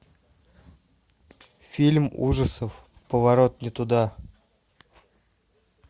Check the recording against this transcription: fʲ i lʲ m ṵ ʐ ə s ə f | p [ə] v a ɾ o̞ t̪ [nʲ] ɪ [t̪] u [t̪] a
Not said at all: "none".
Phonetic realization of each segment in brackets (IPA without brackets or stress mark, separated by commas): ə, nʲ, t̪, d̪